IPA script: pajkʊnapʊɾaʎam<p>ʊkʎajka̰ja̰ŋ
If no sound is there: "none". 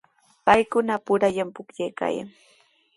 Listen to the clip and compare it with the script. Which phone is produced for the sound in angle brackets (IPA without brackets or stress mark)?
p